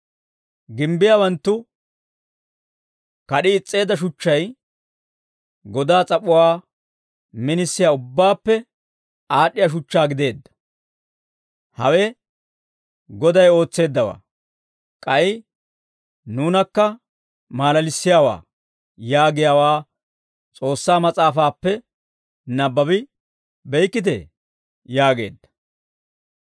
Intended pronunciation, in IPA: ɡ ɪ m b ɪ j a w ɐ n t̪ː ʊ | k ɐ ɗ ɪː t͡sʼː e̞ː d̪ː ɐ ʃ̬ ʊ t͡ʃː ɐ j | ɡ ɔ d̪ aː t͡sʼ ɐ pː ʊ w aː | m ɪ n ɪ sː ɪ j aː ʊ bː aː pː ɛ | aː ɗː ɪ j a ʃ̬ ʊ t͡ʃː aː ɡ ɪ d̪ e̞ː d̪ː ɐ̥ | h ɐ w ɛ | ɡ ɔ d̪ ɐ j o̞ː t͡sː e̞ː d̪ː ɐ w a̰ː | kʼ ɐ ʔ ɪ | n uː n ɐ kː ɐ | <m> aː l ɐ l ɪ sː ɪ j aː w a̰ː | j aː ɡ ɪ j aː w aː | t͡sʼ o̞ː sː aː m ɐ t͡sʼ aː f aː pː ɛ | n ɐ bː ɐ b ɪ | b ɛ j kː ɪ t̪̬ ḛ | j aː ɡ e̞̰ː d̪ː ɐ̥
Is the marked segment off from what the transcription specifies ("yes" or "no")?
no